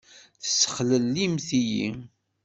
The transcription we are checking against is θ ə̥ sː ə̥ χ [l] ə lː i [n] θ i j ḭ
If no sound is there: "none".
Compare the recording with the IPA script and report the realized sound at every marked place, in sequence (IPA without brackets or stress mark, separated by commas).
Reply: l, m